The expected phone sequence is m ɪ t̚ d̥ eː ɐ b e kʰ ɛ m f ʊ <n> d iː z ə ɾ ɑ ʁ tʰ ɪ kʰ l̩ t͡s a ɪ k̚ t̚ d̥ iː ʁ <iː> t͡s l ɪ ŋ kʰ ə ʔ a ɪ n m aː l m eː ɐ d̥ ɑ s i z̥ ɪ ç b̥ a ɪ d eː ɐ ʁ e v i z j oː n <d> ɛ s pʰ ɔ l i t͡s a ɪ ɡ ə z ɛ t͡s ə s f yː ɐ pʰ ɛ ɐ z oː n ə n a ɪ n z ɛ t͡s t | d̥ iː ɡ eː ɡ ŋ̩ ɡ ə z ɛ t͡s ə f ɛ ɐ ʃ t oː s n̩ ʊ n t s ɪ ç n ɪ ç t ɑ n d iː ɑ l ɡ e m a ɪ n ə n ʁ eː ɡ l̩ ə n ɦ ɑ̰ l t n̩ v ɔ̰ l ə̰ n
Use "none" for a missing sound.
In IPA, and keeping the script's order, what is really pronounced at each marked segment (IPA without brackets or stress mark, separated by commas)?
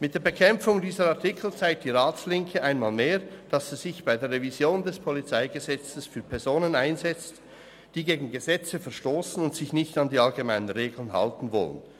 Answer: ŋ, aː, d